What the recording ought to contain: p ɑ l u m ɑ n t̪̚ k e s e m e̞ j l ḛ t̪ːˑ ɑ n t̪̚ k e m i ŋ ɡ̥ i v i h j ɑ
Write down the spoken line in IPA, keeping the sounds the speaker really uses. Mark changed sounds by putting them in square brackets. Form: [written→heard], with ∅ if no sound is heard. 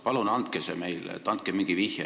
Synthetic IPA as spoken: p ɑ l u [m→n] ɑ n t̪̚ k e s e m e̞ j l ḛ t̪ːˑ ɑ n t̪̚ k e m i ŋ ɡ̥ i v i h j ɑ